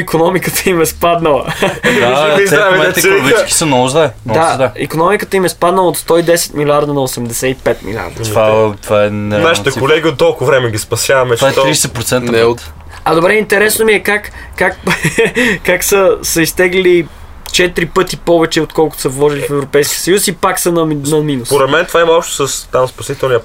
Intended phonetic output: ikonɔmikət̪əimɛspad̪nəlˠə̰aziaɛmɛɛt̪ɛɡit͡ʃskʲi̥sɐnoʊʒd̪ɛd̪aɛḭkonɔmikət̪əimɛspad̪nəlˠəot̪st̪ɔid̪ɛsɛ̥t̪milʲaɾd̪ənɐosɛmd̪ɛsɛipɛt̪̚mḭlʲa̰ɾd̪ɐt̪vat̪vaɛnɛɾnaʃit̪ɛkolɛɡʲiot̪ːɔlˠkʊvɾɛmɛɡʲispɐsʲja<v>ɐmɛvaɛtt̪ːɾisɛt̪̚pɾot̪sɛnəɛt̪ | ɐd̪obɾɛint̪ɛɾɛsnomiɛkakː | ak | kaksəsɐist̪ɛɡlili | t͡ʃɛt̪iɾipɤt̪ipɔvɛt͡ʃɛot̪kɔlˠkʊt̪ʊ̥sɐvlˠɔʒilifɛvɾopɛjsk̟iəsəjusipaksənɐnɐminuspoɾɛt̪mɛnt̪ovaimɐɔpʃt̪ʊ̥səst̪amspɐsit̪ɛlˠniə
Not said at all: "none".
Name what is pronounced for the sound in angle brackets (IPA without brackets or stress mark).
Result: v